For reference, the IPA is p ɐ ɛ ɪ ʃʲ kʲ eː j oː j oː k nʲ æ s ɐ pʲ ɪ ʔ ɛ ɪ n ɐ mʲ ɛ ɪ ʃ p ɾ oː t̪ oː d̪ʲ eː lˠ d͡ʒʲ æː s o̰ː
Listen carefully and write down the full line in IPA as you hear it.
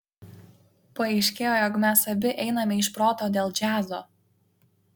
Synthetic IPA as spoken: p ɐ ɛ ɪ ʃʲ kʲ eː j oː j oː k mʲ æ s ɐ bʲ ɪ ʔ ɛ ɪ n ɐ mʲ ɛ ɪ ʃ p ɾ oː t̪ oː d̪ʲ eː lˠ d͡ʒʲ æː z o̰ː